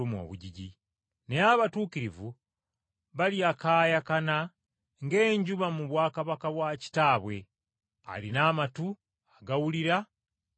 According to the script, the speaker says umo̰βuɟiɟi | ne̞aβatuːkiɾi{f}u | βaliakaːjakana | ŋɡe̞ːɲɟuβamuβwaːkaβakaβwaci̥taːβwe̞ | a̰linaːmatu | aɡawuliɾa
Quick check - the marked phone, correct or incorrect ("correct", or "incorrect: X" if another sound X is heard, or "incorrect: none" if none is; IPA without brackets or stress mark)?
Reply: incorrect: v